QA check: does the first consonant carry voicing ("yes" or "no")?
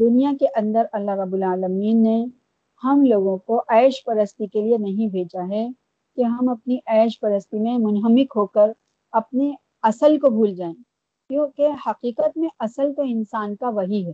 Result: yes